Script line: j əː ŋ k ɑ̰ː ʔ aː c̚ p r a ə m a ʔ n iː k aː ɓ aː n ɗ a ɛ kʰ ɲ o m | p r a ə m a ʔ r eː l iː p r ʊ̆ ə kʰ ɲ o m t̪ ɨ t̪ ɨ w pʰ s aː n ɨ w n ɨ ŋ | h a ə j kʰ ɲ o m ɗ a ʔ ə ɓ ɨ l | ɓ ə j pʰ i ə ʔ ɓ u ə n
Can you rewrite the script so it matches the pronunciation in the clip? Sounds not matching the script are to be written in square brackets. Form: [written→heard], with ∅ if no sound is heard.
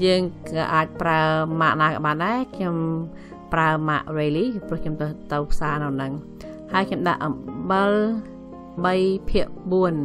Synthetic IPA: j əː ŋ k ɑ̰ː ʔ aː c̚ p r a ə m a ʔ n [iː→aː] k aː ɓ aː n ɗ a ɛ kʰ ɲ o m | p r a ə m a ʔ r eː l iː p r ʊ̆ ə kʰ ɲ o m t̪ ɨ t̪ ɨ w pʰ s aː n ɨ w n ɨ ŋ | h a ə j kʰ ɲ o m ɗ a ʔ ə ɓ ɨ l | ɓ ə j pʰ i ə ʔ ɓ u ə n